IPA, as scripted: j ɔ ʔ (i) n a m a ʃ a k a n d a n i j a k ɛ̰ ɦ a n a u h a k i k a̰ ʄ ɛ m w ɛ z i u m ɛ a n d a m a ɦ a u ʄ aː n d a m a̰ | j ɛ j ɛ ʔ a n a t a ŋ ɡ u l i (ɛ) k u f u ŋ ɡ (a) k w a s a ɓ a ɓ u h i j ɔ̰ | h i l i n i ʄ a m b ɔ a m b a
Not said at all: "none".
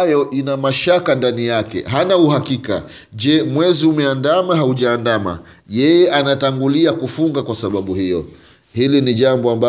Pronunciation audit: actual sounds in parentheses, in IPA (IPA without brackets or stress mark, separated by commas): i, a, a